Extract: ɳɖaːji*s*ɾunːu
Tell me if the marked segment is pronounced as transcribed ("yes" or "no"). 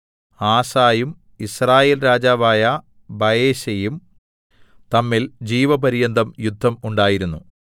no